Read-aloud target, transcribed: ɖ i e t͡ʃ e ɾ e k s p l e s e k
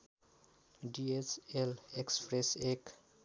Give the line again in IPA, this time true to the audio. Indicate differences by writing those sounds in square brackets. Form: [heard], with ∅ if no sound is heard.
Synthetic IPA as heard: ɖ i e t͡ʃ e [l] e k s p [ɾ] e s e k